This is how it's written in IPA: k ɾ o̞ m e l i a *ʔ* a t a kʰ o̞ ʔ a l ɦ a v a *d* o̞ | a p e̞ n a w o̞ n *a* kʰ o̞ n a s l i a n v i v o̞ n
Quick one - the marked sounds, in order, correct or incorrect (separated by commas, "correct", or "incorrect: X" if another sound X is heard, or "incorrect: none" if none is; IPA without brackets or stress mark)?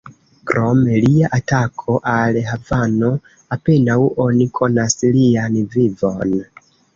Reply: correct, incorrect: n, incorrect: i